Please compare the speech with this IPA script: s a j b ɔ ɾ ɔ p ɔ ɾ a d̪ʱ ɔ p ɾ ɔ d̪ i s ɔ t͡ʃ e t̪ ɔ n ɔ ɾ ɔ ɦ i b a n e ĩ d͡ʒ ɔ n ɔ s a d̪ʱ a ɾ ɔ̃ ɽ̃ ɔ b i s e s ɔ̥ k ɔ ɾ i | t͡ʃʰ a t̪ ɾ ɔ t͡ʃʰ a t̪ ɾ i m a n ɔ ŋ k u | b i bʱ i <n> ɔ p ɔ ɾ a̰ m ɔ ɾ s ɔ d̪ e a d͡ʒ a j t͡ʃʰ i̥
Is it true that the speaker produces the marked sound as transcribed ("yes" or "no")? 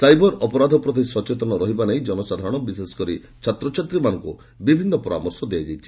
no